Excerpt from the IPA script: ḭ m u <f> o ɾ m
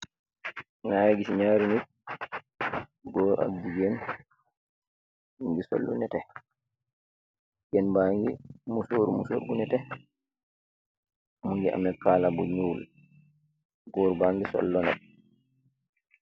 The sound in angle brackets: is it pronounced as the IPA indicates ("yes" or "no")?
no